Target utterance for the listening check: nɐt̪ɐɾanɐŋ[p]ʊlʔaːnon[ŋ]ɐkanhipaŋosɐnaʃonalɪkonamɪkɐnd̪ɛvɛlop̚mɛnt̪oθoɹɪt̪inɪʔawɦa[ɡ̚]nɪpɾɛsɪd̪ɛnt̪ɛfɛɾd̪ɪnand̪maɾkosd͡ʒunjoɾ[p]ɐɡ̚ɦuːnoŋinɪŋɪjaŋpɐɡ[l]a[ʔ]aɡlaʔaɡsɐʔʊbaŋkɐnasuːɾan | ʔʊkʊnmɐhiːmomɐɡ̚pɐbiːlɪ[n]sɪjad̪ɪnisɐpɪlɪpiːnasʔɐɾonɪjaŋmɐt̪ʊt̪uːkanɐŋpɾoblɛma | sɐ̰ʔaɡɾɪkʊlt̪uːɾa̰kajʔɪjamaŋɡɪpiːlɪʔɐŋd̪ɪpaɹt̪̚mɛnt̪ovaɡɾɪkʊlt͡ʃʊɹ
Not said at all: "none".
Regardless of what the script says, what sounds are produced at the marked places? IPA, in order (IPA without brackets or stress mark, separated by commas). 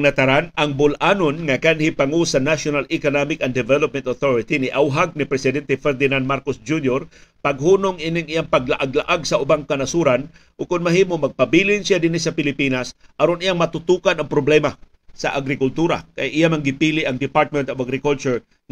b, ŋ, ɡ̚, p, l, ʔ, n